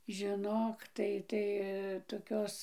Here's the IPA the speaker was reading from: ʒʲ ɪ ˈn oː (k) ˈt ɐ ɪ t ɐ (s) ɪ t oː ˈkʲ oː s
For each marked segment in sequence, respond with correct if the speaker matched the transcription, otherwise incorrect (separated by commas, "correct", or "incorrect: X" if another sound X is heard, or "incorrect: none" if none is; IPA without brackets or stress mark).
correct, incorrect: none